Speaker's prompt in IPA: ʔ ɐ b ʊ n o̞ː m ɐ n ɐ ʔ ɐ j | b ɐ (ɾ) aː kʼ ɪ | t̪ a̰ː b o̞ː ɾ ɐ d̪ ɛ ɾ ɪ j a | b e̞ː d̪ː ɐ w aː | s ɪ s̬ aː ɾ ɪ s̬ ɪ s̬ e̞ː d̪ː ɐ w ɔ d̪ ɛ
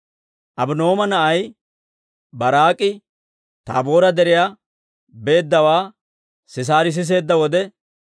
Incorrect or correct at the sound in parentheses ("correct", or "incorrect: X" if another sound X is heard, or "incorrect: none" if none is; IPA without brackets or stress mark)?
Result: correct